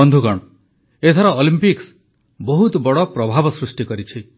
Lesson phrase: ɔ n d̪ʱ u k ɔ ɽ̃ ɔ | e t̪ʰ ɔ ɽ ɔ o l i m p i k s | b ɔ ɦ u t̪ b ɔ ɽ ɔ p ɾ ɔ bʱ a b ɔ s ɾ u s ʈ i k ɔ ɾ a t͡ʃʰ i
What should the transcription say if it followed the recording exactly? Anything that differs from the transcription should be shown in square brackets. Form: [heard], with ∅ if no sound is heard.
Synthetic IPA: ɔ n d̪ʱ u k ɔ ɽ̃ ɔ | e t̪ʰ ɔ [ɾ] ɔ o l i m p i k s | b ɔ ɦ u t̪ b ɔ ɽ ɔ p ɾ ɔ bʱ a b ɔ s ɾ u s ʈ i k ɔ ɾ [i] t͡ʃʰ i